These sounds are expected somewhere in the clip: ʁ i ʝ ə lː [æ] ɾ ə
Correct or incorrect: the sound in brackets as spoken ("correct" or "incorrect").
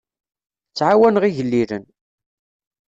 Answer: incorrect